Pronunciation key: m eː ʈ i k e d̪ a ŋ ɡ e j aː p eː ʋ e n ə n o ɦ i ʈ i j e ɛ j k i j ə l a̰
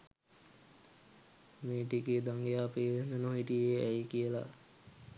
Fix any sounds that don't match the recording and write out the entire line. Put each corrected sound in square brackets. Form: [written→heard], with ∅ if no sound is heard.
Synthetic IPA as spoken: m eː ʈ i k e d̪ a ŋ ɡ e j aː p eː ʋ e n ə n o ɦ i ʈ i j e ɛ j k i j ə l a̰